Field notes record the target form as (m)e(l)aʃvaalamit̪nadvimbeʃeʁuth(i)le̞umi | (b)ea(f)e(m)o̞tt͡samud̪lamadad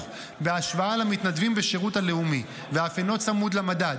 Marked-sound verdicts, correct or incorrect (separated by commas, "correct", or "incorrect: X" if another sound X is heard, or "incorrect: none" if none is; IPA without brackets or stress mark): incorrect: b, incorrect: none, incorrect: a, incorrect: v, correct, incorrect: n